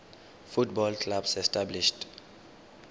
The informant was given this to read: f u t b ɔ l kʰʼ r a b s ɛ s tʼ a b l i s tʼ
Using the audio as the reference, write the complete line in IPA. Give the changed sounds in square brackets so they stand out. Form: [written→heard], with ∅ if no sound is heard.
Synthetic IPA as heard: f u t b ɔ l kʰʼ [r→l] a b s ɛ s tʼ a b l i [s→ʃ] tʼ